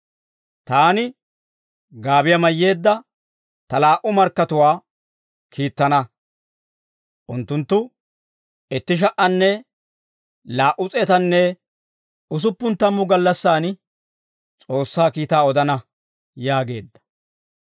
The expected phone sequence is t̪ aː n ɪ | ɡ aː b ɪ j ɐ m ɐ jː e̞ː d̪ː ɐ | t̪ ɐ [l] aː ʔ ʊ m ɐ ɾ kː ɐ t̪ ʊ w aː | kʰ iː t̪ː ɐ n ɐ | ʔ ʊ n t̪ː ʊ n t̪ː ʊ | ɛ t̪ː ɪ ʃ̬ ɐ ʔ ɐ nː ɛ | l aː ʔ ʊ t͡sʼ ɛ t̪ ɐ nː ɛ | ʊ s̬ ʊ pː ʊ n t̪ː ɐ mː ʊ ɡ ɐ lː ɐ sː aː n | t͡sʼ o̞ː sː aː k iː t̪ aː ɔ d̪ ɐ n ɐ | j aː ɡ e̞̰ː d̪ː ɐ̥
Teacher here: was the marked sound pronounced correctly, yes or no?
yes